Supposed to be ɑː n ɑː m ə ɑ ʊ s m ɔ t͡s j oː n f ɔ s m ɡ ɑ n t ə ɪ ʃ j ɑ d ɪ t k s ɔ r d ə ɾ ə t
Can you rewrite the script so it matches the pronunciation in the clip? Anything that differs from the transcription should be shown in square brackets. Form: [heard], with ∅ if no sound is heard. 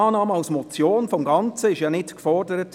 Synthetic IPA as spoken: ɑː n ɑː m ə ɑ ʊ s m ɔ t͡s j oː n f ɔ [∅] m ɡ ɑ n [t͡s] ə ɪ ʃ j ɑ [n] ɪ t k [f] ɔ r d ə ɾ ə t